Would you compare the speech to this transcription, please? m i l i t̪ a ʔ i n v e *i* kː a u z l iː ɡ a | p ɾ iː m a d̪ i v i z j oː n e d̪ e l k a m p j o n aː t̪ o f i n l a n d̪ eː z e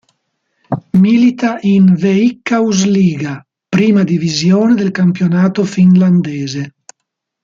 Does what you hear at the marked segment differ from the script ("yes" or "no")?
no